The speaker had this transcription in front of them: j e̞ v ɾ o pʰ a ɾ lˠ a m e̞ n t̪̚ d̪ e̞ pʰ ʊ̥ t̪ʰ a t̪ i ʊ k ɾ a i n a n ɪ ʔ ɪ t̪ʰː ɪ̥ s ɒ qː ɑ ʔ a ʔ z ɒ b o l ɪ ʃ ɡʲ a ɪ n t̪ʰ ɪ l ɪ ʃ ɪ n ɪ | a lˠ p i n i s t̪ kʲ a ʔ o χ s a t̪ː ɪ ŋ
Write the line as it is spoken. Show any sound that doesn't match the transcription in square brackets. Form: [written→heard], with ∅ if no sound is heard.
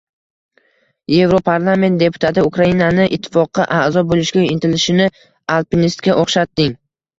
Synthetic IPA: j e̞ v ɾ o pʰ a ɾ lˠ a m e̞ n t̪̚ d̪ e̞ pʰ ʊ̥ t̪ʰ a t̪ [i→ɪ] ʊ k ɾ a i n a n ɪ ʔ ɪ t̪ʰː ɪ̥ [s→f] ɒ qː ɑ ʔ a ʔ z ɒ b o l ɪ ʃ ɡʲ a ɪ n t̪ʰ ɪ l ɪ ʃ ɪ n ɪ | a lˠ p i n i s t̪ kʲ a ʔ o χ [s→ʃ] a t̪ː ɪ ŋ